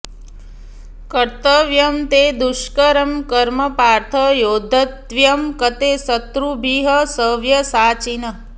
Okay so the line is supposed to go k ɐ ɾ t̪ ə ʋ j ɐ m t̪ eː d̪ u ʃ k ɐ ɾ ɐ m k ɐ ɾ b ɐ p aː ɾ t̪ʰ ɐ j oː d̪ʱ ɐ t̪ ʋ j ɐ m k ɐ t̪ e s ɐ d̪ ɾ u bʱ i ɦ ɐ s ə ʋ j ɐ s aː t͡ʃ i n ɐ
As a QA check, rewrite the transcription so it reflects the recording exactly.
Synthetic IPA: k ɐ ɾ t̪ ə ʋ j ɐ m t̪ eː d̪ u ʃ k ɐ ɾ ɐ m k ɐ ɾ m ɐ p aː ɾ t̪ʰ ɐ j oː d̪ʱ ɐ t̪ ʋ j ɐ m k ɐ t̪ e s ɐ t̪ ɾ u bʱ i ɦ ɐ s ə ʋ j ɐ s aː t͡ʃ i n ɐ

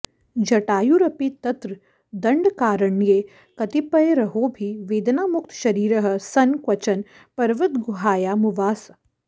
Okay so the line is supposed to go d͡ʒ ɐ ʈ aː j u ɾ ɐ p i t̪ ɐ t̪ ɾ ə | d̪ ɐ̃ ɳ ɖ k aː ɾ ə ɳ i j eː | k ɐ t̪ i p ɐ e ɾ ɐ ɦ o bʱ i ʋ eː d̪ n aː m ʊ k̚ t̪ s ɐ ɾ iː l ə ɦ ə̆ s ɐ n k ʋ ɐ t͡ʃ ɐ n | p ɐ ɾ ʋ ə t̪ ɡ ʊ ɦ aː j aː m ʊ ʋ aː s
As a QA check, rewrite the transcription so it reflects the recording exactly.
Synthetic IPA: d͡ʒ ɐ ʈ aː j u ɾ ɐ p i t̪ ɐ t̪ ɾ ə | d̪ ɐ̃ ɳ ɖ k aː ɾ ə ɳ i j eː | k ɐ t̪ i p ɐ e ɾ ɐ ɦ o bʱ i ʋ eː d̪ n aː m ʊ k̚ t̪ ʃ ɐ ɾ iː ɾ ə ɦ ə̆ s ɐ n k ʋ ɐ t͡ʃ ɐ n | p ɐ ɾ ʋ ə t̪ ɡ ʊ ɦ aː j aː m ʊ ʋ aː s

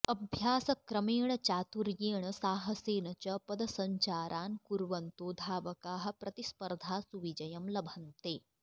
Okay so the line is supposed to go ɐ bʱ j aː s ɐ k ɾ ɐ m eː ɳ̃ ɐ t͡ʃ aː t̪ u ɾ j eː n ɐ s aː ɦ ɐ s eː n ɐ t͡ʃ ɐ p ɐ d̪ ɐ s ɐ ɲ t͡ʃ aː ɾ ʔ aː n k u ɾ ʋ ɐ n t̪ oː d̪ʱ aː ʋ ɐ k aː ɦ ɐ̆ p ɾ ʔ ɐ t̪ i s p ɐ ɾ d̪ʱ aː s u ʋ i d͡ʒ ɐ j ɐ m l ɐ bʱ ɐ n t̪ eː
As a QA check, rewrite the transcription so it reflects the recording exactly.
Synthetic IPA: ɐ bʱ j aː s ɐ k ɾ ɐ m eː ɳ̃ ɐ t͡ʃ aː t̪ u ɾ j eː ɳ ɐ s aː ɦ ɐ s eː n ɐ t͡ʃ ɐ p ɐ d̪ ɐ s ɐ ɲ t͡ʃ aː ɾ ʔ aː n k u ɾ ʋ ɐ n t̪ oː d̪ʱ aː ʋ ɐ k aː ɦ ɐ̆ p ɾ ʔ ɐ t̪ i s p ɐ ɾ d̪ʱ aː s u ʋ i d͡ʒ ɐ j ɐ m l ɐ bʱ ɐ n t̪ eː

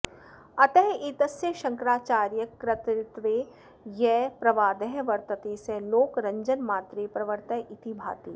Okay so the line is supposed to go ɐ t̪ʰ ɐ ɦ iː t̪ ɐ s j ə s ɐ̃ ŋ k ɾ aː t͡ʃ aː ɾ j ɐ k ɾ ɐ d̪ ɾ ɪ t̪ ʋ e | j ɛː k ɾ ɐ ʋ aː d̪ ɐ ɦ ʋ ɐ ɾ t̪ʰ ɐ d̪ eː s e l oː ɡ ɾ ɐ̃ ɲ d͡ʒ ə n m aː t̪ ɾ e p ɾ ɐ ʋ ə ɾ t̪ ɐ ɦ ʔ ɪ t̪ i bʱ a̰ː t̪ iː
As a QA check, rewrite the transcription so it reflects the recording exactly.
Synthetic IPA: ɐ t̪ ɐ ɦ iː t̪ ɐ s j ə ʃ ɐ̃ ŋ k ɾ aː t͡ʃ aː ɾ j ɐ k ɾ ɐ t̪ ɾ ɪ t̪ ʋ e | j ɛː p ɾ ɐ ʋ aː d̪ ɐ ɦ ʋ ɐ ɾ t̪ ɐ t̪ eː s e l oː k ɾ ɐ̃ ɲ d͡ʒ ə n m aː t̪ ɾ e p ɾ ɐ ʋ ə ɾ t̪ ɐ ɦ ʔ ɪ t̪ i bʱ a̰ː t̪ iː

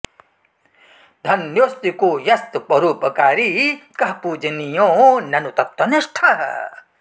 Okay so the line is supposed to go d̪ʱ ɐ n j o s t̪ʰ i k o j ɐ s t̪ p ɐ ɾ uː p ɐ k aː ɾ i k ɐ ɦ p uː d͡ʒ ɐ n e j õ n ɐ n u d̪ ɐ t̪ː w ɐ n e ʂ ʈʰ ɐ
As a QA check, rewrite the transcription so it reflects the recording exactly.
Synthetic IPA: d̪ʱ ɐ n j o s t̪ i k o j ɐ s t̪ p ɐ ɾ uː p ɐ k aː ɾ i k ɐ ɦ p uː d͡ʒ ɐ n i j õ n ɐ n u t̪ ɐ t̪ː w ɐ n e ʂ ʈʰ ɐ

